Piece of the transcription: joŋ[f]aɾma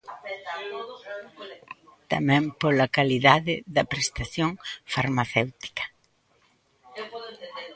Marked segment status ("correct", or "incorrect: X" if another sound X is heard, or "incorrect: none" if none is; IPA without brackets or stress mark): correct